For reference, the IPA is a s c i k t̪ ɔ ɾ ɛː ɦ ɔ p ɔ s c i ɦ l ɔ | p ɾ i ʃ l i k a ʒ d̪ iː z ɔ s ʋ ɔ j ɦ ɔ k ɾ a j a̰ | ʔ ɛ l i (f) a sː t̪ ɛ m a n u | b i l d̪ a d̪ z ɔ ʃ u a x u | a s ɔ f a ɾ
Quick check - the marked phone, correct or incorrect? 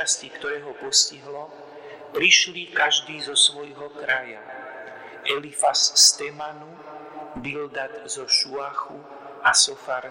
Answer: correct